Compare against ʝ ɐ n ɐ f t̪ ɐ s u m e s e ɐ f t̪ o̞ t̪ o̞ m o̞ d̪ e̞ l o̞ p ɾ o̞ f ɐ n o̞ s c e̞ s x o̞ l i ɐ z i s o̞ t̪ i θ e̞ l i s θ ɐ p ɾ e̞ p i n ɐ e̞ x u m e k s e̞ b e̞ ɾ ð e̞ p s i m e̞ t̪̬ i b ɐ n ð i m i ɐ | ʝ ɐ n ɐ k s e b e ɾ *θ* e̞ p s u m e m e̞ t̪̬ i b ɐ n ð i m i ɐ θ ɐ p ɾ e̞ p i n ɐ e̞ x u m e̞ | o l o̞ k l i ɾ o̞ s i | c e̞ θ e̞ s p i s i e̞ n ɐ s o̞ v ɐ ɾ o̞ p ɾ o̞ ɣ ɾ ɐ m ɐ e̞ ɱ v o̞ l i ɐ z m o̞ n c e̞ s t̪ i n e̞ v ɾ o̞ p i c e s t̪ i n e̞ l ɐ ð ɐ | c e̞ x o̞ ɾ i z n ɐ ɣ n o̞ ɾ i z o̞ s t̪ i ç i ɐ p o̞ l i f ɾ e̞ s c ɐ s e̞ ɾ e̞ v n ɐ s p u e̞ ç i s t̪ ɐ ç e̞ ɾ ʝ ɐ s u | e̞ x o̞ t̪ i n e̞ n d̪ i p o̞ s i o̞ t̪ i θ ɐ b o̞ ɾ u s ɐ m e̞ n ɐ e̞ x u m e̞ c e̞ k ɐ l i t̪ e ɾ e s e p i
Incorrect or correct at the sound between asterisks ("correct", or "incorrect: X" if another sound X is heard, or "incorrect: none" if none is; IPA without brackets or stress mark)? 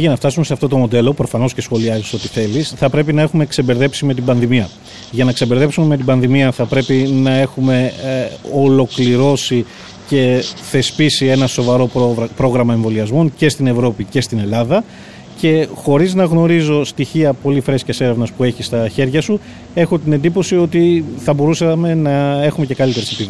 incorrect: ð